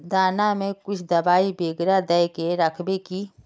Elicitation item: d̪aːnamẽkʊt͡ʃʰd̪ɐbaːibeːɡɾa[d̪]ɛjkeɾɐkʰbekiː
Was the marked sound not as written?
no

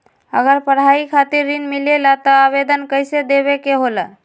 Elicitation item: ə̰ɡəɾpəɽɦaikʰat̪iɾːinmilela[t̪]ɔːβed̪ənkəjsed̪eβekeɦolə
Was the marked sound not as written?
no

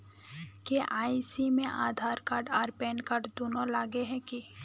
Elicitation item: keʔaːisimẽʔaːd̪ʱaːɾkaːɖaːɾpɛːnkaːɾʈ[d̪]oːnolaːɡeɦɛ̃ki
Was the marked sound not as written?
no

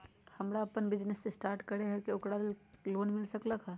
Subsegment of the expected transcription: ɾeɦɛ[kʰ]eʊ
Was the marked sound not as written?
yes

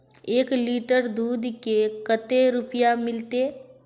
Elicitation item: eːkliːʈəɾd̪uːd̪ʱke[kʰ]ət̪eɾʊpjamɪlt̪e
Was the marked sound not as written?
yes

